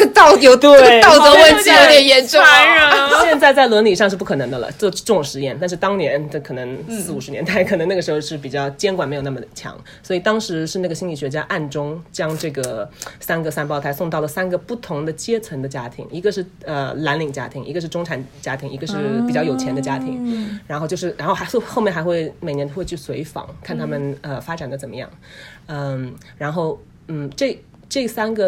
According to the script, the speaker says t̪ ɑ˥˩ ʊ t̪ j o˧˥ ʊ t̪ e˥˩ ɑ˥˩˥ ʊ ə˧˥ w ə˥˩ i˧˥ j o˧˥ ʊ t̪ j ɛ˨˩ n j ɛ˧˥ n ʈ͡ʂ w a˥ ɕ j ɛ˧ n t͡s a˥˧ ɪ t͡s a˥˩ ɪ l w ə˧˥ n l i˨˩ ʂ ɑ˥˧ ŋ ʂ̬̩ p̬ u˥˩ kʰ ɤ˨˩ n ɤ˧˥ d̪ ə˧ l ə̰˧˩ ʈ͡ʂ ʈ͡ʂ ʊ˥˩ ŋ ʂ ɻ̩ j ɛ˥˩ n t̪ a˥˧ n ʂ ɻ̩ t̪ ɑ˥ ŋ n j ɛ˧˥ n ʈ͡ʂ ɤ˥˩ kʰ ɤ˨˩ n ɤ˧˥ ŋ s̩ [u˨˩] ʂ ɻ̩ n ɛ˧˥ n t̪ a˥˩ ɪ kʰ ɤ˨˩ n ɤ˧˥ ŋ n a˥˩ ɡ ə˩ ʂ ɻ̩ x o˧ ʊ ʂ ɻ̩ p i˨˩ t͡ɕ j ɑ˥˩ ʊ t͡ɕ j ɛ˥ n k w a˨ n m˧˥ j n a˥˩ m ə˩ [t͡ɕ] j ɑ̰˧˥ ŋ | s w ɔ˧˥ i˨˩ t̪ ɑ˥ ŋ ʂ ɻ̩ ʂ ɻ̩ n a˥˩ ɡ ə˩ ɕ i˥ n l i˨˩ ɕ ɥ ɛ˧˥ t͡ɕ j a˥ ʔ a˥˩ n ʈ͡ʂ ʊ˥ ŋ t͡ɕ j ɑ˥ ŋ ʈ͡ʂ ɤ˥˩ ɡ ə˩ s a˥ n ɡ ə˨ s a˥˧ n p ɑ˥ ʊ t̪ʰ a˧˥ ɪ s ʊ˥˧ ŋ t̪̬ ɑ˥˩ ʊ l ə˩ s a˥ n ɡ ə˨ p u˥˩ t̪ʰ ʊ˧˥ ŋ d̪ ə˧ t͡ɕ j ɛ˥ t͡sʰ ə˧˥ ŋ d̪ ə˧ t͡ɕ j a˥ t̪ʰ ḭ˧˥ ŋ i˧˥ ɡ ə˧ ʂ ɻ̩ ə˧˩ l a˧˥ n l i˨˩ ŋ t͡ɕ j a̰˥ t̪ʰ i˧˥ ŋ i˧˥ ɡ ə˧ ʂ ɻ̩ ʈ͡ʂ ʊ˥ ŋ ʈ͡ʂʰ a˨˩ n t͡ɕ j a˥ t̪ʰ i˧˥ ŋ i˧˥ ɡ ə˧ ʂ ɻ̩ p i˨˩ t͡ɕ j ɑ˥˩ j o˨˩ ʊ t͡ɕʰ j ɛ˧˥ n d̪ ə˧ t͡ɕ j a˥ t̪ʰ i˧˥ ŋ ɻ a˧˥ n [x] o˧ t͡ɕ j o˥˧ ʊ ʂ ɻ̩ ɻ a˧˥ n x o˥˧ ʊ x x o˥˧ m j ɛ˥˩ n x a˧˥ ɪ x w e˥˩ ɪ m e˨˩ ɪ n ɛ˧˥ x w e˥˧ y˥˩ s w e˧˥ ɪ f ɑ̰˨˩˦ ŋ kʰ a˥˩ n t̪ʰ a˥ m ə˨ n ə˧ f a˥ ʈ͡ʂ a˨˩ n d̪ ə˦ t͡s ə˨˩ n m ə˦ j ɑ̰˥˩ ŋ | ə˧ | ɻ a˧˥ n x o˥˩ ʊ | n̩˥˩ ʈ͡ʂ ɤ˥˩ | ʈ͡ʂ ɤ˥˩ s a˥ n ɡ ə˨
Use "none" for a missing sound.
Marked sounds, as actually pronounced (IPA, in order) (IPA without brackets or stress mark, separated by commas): u˨˩, t͡ɕʰ, x